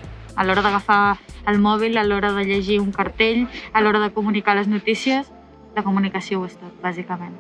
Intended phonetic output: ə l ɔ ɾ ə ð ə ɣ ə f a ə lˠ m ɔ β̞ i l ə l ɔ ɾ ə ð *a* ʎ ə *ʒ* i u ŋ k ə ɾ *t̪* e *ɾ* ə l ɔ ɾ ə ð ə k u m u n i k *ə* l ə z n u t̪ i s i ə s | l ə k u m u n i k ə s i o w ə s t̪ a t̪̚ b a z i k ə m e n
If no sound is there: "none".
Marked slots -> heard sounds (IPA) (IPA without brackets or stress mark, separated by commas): ə, ʒ, t̪, ʎ, a